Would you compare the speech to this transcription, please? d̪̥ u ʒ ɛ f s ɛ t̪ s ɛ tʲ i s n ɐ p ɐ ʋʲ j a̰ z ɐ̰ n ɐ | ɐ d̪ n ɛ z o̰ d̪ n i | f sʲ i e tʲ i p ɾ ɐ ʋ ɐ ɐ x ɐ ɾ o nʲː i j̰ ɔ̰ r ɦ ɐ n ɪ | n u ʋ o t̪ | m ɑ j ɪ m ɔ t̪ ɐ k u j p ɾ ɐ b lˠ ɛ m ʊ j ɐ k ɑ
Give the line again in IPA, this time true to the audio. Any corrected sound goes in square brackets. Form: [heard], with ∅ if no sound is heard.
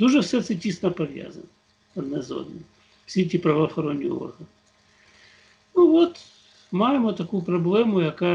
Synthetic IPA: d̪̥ u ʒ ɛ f s ɛ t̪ s ɛ tʲ i s n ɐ p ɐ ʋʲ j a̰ z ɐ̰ n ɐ | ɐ d̪ n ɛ z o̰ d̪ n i | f sʲ i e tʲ i p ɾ ɐ ʋ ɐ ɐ x ɐ ɾ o nʲː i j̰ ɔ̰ r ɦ ɐ n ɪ | n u ʋ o t̪ | m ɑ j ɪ m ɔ t̪ ɐ k u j p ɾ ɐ b lˠ ɛ m ʊ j ɐ k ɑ